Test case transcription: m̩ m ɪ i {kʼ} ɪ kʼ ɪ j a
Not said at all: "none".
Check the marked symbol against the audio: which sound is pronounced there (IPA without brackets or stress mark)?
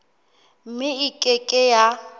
kʼ